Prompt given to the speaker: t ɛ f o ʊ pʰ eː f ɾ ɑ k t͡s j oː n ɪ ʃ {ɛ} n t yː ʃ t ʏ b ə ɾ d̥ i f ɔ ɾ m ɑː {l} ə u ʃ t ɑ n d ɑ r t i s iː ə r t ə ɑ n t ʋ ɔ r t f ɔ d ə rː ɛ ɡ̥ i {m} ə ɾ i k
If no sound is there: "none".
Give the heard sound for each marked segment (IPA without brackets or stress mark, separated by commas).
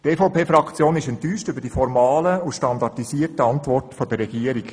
ɛ, l, none